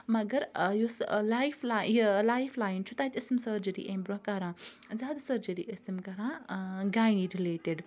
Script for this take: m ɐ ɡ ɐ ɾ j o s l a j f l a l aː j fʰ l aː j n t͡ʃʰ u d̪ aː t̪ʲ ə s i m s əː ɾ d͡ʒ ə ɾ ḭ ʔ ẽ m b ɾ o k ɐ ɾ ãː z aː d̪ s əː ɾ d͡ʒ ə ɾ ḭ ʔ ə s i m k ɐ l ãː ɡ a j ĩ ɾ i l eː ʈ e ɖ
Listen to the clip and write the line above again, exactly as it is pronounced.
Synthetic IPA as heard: m ɐ ɡ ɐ ɾ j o s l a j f l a l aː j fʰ l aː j n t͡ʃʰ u t̪ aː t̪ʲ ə s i m s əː ɾ d͡ʒ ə ɾ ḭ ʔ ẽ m b ɾ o k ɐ ɾ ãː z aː d̪ s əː ɾ d͡ʒ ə ɾ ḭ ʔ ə s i m k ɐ ɾ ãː ɡ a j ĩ ɾ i l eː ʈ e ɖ